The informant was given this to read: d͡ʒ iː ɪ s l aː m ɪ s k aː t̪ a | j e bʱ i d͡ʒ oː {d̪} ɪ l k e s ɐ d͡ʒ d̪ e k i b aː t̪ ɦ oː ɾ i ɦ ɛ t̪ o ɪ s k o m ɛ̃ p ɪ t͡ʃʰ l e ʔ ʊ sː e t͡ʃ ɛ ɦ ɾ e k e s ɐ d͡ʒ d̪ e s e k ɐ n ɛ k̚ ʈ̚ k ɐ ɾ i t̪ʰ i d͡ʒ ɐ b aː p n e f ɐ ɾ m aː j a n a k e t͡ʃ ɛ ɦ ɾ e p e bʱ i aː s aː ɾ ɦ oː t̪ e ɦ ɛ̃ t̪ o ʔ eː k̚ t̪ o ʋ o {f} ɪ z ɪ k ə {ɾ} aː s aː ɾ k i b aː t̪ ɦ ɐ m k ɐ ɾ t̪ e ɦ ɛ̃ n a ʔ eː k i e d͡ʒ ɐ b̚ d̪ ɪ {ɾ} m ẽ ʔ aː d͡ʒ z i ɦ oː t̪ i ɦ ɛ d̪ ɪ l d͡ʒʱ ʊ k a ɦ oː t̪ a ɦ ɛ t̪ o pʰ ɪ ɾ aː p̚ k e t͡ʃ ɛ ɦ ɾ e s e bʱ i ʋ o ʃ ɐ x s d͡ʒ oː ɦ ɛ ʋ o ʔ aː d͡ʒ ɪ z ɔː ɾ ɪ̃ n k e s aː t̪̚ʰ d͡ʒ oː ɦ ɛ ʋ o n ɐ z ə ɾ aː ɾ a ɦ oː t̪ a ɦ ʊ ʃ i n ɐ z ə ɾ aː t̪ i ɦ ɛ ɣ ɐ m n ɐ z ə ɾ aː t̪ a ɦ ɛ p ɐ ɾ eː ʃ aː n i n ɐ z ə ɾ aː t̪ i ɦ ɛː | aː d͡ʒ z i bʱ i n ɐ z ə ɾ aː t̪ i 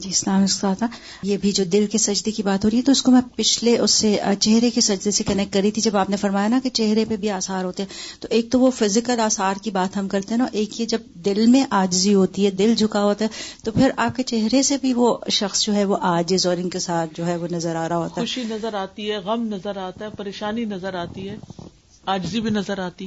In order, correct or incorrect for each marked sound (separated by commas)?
correct, correct, incorrect, incorrect